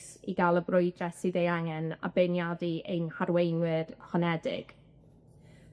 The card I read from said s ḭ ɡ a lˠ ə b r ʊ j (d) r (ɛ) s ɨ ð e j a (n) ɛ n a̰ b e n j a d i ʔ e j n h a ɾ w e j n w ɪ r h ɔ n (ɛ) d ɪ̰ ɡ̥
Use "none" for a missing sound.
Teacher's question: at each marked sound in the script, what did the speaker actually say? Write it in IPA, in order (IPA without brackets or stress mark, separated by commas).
d, ɛ, ŋ, ɛ